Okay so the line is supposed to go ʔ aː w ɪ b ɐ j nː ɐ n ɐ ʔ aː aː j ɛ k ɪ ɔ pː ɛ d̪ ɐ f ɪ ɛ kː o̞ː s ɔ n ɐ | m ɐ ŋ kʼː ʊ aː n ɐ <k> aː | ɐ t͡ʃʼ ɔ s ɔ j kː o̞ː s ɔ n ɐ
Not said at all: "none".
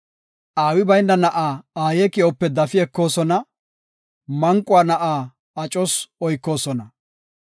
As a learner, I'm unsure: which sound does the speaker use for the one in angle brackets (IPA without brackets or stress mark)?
ʔ